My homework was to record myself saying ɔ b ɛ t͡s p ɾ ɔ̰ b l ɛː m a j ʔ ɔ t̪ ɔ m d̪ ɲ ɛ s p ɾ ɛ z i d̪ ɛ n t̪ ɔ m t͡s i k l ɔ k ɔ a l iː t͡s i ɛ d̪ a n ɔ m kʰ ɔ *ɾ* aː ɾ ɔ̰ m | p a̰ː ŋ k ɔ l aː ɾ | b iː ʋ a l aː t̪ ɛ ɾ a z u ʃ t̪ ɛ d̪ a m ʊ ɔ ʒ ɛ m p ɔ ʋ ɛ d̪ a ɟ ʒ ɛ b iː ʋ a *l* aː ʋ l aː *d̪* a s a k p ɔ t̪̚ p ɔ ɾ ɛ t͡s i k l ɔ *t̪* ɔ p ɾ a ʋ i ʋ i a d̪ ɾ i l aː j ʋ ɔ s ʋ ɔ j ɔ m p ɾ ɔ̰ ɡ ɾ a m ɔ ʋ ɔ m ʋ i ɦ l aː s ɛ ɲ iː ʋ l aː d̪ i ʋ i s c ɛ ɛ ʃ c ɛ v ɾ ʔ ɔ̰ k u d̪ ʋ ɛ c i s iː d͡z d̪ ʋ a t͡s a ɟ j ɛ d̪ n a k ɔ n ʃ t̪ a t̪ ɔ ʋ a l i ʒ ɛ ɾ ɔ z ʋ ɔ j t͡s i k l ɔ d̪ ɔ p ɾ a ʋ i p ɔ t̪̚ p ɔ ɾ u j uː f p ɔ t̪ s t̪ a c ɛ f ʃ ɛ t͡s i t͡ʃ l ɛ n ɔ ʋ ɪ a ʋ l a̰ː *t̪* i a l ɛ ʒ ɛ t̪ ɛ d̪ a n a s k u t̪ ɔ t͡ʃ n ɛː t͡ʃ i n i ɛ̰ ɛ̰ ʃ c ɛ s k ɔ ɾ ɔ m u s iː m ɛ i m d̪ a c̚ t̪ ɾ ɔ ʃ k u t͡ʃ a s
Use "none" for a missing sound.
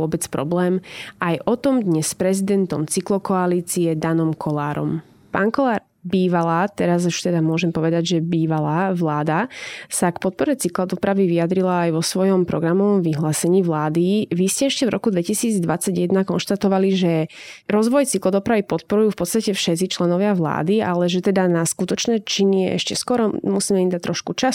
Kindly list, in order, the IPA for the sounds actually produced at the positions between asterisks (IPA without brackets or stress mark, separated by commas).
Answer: l, l, d̪, d̪, d̪